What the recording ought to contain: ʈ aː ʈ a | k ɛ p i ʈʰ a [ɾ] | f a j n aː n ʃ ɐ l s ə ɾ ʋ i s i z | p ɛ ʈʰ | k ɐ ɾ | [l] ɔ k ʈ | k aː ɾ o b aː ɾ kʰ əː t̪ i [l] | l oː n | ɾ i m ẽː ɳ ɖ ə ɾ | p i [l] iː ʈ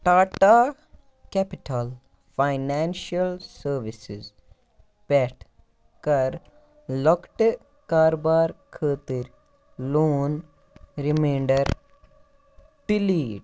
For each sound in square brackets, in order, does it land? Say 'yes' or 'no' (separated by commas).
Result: no, yes, no, yes